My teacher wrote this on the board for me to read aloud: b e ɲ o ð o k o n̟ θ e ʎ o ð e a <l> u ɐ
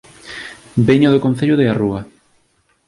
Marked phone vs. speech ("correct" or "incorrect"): incorrect